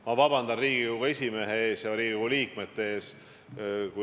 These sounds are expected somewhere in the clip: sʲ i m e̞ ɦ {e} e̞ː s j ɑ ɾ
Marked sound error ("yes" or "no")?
no